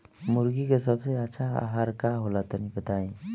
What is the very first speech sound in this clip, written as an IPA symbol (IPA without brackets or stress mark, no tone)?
m